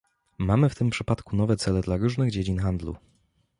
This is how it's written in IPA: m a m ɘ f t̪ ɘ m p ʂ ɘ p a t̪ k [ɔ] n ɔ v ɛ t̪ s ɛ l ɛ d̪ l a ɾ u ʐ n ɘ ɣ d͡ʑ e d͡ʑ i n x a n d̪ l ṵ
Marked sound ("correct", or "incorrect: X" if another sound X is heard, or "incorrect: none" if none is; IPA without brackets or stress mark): incorrect: u